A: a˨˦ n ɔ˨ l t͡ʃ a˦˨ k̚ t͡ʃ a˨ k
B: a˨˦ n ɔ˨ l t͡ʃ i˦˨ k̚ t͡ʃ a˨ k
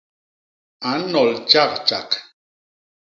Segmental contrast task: A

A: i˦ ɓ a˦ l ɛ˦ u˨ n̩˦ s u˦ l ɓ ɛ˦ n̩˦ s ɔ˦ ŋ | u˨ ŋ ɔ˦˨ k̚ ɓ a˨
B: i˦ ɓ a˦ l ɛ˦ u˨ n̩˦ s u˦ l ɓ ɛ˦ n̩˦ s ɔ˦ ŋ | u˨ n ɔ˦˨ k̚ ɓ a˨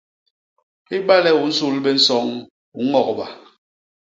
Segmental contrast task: A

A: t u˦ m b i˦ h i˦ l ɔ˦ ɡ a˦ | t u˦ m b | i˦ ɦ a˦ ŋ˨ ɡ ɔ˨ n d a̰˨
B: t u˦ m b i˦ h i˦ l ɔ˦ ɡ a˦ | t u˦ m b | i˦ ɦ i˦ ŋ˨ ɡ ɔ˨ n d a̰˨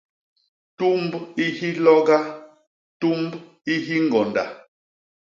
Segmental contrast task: B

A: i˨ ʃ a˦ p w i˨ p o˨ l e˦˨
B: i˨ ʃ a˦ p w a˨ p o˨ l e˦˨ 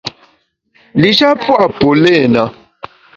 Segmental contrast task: B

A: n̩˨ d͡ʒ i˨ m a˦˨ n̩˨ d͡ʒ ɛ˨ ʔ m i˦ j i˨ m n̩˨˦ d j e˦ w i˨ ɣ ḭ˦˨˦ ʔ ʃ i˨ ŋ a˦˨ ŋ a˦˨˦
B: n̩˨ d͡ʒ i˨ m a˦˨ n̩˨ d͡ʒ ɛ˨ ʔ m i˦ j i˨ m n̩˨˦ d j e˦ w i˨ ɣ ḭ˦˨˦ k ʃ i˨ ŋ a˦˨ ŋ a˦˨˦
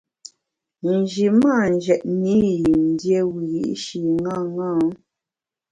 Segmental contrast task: A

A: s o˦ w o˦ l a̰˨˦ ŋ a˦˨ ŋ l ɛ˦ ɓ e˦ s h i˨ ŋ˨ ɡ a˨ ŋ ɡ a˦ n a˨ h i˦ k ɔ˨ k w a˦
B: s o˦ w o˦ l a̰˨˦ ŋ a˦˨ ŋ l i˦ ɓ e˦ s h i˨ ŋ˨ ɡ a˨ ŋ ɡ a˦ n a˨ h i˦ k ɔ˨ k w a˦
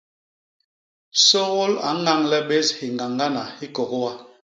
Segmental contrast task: A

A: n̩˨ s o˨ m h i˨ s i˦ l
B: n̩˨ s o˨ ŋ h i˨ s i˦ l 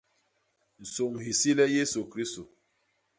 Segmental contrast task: B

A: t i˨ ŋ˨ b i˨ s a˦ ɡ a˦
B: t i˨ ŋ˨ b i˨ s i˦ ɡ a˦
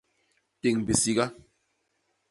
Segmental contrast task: B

